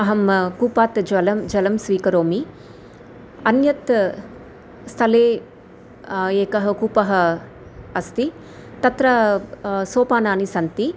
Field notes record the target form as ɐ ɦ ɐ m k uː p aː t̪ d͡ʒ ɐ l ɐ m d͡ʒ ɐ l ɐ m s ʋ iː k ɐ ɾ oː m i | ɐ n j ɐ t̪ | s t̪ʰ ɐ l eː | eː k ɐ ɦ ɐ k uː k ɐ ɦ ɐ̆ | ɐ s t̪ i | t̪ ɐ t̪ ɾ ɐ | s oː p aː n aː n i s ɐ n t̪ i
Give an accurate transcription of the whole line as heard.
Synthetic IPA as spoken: ɐ ɦ ɐ m k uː p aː t̪ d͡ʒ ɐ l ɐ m d͡ʒ ɐ l ɐ m s ʋ iː k ɐ ɾ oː m i | ɐ n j ɐ t̪ | s t̪ʰ ɐ l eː | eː k ɐ ɦ ɐ k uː p ɐ ɦ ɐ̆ | ɐ s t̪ i | t̪ ɐ t̪ ɾ ɐ | s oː p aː n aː n i s ɐ n t̪ i